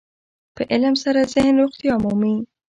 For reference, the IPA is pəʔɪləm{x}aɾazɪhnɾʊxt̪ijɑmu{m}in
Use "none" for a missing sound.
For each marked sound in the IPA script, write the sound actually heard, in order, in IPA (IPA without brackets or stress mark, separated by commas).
s, m